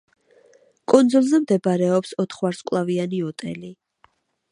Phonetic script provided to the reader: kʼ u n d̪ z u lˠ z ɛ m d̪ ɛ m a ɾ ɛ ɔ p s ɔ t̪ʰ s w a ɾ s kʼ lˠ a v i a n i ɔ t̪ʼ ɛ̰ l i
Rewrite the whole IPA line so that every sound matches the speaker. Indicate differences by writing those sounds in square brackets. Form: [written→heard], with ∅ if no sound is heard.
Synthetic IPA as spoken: kʼ u n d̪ z u lˠ z ɛ m d̪ ɛ [m→b] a ɾ ɛ ɔ p s ɔ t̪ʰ [s→χ] w a ɾ s kʼ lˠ a v i a n i ɔ t̪ʼ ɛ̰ l i